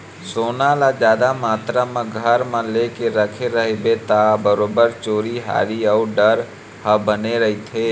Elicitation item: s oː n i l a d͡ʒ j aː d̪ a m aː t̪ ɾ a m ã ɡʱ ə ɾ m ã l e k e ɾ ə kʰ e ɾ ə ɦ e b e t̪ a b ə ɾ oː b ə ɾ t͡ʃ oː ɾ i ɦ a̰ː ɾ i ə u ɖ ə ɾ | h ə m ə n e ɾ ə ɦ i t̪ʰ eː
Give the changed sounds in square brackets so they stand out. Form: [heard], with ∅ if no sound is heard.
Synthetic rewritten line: s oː n [a] l a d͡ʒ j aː d̪ a m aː t̪ ɾ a m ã ɡʱ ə ɾ m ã l e k e ɾ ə kʰ e ɾ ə ɦ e b e t̪ a b ə ɾ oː b ə ɾ t͡ʃ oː ɾ i ɦ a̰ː ɾ i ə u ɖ ə ɾ | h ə [b] ə n e ɾ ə ɦ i t̪ʰ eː